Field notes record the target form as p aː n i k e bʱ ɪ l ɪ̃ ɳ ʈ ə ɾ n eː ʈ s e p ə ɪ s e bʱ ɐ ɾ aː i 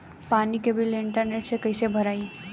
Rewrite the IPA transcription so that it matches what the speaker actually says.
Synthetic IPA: p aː n i k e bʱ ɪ l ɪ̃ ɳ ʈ ə ɾ n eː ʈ s e k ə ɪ s e bʱ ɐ ɾ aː i